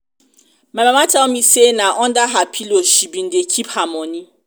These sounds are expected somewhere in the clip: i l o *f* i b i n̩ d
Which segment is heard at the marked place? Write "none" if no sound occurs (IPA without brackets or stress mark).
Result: ʃ